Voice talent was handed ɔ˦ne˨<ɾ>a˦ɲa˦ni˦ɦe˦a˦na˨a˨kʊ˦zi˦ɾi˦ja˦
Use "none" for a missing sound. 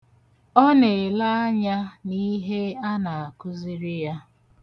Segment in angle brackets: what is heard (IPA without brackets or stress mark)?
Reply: l